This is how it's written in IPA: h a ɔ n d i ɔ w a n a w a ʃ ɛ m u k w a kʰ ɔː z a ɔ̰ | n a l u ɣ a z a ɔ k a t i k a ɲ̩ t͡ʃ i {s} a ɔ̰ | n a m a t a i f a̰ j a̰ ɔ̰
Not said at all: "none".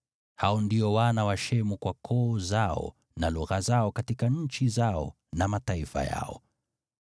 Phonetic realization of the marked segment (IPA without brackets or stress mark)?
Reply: z